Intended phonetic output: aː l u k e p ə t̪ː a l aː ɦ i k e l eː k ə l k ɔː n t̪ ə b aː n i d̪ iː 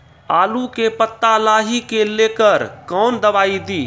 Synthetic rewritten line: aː l u k e p ə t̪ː a l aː ɦ i k e l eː k ə ɾ k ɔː n d̪ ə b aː i d̪ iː

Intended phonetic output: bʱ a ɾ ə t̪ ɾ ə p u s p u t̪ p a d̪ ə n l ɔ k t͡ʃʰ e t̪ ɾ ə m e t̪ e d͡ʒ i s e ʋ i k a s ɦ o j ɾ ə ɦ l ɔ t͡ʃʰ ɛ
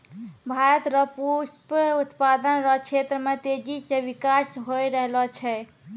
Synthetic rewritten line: bʱ a ɾ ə t̪ ɾ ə p u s p u t̪ p a d̪ ə n ɾ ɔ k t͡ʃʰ e t̪ ɾ ə m e t̪ e d͡ʒ i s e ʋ i k a s ɦ o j ɾ ə ɦ l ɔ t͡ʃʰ ɛ

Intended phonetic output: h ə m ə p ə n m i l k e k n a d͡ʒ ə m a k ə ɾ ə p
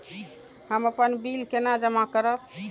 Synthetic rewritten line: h ə m ə p ə n b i l k e n a d͡ʒ ə m a k ə ɾ ə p

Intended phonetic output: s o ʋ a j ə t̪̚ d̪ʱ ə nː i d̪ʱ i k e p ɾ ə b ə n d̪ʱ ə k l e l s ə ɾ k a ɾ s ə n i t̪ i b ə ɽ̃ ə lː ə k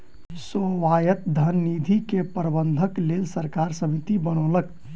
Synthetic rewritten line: s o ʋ a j ə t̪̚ d̪ʱ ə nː i d̪ʱ i k e p ɾ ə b ə n d̪ʱ ə k l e l s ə ɾ k a ɾ s ə m i t̪ i b ə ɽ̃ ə l ə k

